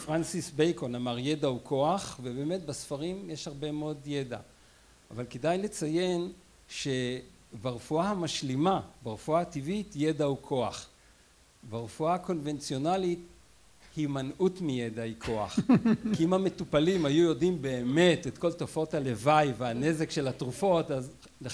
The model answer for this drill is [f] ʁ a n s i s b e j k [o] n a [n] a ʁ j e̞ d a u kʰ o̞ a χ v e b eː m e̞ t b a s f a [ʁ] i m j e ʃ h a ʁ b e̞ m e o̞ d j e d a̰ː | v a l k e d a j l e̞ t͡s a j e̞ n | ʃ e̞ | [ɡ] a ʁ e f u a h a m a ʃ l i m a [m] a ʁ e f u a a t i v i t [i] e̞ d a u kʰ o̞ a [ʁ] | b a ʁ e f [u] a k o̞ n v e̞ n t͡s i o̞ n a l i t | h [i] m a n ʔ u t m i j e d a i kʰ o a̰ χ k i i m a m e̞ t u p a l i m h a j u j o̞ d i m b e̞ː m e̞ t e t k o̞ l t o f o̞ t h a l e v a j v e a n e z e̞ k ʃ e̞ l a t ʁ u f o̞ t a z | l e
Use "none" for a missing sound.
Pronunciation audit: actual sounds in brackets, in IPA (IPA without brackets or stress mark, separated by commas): f, o, m, ʁ, b, b, j, χ, u, i